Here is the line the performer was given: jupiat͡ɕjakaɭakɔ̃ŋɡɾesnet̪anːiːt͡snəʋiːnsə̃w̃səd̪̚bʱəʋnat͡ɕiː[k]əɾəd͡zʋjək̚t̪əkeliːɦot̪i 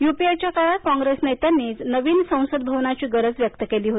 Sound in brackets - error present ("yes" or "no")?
yes